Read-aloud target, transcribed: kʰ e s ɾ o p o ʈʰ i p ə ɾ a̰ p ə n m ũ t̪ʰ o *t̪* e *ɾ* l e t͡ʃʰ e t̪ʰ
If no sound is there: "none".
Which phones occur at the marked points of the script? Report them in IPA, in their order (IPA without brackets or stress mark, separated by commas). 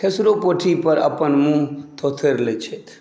t̪ʰ, ɾ